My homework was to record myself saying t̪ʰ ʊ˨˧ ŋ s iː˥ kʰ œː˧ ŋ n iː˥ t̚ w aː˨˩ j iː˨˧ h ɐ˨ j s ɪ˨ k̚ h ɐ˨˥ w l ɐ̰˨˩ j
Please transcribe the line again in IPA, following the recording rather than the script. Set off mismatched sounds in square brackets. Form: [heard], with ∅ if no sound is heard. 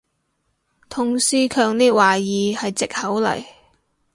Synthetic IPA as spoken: t̪ʰ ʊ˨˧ ŋ s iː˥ kʰ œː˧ ŋ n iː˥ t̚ w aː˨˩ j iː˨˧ h ɐ˨ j [t͡s] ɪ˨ k̚ h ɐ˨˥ w l ɐ̰˨˩ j